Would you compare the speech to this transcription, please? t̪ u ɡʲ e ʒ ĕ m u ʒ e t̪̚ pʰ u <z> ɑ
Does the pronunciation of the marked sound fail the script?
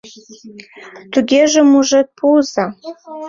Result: no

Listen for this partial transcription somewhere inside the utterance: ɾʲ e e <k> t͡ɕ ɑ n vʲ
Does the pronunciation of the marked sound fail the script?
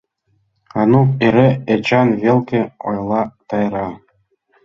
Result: yes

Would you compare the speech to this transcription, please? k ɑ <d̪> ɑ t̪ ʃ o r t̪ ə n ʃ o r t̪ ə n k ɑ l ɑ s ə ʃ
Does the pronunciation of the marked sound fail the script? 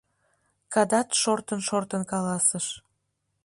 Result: no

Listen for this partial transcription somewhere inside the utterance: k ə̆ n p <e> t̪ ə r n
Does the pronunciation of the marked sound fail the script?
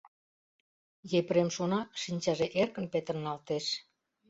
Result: no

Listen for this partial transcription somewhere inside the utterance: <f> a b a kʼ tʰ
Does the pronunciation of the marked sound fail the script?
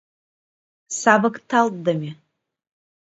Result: yes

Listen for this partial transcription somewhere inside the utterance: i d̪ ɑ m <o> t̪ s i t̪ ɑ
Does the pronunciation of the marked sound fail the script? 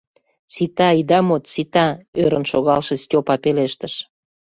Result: no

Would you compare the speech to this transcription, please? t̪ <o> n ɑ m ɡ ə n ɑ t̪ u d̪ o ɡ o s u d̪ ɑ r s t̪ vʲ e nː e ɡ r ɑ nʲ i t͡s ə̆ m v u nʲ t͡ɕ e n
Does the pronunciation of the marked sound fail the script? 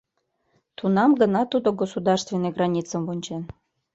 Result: yes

